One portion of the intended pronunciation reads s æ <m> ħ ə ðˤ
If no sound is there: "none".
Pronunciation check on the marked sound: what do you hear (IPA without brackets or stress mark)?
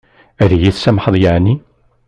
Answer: m